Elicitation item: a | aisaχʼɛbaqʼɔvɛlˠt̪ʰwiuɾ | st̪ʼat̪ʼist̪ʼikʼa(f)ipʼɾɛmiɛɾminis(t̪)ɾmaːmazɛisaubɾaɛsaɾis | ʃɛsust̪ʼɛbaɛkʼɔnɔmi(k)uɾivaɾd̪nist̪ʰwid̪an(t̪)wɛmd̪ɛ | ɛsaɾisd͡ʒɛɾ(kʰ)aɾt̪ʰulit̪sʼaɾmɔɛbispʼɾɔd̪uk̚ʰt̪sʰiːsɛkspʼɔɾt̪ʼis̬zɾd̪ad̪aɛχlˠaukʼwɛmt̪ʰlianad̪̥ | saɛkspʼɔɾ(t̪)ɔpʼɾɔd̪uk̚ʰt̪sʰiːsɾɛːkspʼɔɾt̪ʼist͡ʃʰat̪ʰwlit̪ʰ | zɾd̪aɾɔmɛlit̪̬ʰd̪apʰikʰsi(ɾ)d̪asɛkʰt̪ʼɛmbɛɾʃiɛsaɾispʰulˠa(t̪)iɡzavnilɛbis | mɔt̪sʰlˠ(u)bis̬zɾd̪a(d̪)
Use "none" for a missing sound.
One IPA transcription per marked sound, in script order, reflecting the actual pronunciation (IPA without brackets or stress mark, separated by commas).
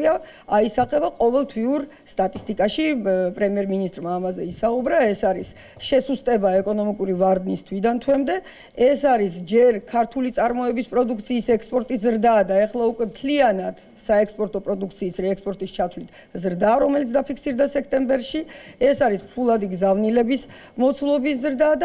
ʃ, t̪ʼ, kʼ, t̪ʰ, kʰ, t̪ʼ, ɾ, d̪, ɔ, d̪